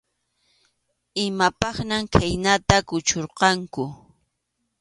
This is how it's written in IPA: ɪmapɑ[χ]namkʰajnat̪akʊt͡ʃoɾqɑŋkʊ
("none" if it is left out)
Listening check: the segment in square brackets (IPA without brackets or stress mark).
χ